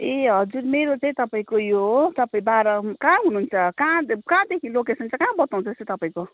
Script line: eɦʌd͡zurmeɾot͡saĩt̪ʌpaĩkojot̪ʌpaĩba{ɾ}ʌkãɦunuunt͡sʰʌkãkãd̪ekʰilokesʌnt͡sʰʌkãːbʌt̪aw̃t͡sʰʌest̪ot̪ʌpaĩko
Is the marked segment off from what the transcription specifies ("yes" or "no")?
no